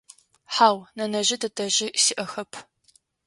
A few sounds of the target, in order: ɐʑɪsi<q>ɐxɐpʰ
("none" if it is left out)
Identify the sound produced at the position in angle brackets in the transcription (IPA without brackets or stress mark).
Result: ʔ